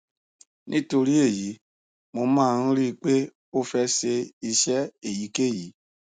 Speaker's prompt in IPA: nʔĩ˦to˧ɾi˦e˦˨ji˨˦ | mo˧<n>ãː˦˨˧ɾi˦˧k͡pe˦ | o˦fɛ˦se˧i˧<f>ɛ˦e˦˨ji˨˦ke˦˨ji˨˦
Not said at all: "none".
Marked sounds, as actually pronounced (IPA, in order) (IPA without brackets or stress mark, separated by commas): m, ʃ